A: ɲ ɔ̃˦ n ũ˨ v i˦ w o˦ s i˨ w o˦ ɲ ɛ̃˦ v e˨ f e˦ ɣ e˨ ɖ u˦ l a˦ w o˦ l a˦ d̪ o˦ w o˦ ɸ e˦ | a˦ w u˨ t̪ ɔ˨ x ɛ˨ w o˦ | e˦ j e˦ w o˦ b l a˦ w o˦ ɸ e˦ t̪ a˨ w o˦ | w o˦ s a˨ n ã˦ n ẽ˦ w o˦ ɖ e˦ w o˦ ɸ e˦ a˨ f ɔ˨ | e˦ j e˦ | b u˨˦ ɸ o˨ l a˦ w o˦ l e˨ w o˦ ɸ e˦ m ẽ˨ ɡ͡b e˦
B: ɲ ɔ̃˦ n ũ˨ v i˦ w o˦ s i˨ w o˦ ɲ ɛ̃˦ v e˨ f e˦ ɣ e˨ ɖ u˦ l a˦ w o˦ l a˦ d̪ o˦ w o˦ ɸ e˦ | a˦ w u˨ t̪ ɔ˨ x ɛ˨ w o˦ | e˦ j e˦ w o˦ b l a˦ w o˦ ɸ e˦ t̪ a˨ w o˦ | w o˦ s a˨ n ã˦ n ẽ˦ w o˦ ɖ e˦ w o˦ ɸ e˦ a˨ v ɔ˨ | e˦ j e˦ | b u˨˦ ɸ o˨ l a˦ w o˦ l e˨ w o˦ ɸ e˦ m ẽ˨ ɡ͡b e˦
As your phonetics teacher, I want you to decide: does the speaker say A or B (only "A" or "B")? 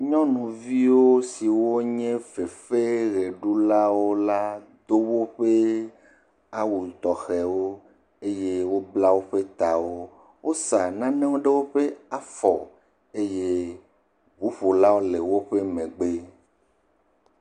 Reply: A